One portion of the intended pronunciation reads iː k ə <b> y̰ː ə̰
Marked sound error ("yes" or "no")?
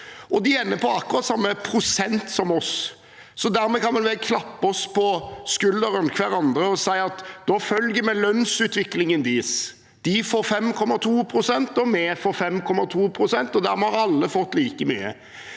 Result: yes